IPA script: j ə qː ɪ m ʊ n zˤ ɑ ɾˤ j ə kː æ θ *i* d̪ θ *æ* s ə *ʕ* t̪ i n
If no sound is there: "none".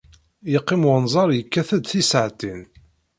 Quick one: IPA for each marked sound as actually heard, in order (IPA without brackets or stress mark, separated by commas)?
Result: æ, i, ʕ